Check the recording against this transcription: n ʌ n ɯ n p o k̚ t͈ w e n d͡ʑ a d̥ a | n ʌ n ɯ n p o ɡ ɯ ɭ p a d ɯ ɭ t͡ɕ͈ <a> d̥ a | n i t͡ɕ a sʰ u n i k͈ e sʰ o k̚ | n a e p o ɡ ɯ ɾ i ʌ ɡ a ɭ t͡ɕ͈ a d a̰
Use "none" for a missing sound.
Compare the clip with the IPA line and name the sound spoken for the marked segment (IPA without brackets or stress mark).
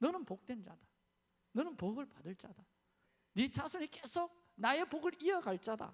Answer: a